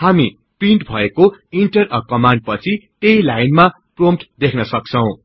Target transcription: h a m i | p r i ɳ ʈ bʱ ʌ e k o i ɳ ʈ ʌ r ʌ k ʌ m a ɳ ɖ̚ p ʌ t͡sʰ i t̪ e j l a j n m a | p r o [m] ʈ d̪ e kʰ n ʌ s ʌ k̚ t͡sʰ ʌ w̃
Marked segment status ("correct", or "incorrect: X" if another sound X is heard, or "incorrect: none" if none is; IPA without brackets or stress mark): correct